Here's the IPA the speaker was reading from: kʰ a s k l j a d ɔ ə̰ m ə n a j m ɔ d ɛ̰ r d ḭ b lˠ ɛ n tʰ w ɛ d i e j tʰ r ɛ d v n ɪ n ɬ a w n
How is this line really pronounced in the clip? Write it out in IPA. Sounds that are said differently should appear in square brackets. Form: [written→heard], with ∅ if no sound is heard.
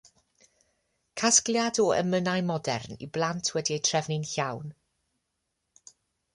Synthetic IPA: kʰ a s k l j a d ɔ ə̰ m ə n a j m ɔ d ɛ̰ r [d→n] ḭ b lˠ [ɛ→a] n tʰ w ɛ d i e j tʰ r ɛ [d→∅] v n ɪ n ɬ a w n